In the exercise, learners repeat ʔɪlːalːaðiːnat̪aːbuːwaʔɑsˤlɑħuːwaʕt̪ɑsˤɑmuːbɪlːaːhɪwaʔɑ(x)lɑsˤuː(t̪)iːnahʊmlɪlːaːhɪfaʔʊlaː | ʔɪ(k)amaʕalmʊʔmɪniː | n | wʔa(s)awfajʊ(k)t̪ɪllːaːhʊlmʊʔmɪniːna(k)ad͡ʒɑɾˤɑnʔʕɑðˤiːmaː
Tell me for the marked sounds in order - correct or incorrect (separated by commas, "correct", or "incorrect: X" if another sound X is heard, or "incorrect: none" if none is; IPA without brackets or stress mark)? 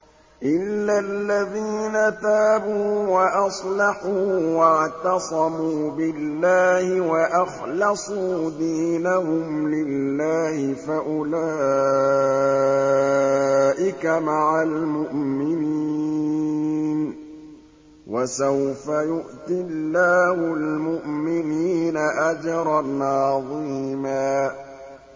correct, incorrect: d̪, correct, correct, incorrect: ʔ, incorrect: ʔ